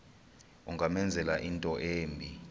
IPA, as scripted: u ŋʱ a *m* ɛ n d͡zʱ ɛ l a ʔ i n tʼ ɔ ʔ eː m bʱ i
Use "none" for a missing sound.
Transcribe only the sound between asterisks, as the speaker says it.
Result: m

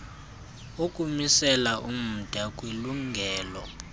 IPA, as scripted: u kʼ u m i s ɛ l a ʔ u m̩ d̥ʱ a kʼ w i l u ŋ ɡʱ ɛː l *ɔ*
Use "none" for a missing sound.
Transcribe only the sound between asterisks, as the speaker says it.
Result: ɔ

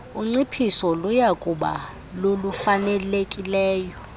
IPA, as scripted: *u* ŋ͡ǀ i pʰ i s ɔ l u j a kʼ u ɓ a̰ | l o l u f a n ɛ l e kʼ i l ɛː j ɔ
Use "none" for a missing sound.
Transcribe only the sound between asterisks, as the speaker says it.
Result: u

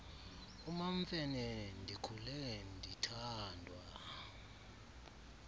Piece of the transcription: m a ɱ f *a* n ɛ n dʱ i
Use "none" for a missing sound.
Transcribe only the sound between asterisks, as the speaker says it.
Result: ɛ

